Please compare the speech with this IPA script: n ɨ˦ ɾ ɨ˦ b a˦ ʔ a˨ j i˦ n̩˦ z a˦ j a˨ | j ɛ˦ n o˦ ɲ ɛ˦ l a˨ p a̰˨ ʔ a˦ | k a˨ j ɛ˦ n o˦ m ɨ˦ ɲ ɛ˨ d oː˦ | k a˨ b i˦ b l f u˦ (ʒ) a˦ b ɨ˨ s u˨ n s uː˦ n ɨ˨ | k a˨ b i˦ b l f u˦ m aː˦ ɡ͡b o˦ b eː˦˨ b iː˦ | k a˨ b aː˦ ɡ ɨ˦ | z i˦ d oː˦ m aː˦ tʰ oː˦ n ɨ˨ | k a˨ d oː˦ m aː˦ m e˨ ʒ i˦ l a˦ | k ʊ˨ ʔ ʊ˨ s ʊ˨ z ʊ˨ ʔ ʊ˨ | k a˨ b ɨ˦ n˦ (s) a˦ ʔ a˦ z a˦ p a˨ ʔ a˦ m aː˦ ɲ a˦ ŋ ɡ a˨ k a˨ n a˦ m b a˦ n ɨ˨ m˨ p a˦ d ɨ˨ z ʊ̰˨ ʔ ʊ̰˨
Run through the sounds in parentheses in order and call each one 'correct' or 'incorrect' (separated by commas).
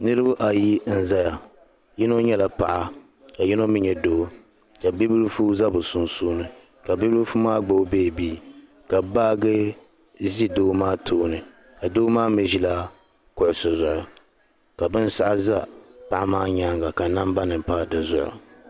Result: incorrect, correct